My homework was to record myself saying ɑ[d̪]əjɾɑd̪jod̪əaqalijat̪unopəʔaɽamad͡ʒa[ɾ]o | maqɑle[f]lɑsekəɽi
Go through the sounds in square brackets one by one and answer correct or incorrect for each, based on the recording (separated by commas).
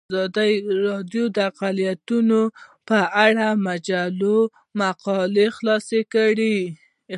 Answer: correct, incorrect, incorrect